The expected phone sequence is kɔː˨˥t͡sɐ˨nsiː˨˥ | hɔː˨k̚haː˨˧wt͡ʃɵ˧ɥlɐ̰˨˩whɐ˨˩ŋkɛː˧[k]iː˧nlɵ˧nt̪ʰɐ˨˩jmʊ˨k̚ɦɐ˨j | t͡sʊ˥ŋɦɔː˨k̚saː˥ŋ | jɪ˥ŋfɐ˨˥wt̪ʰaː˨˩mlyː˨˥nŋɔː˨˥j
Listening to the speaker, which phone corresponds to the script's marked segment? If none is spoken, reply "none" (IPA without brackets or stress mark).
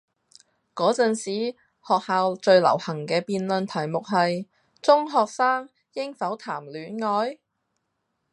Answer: p